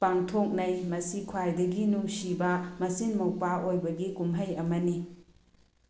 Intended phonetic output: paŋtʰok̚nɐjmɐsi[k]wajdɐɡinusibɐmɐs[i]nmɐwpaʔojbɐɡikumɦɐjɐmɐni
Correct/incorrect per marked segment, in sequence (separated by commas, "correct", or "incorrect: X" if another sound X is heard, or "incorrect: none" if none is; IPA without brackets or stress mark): incorrect: kʰ, correct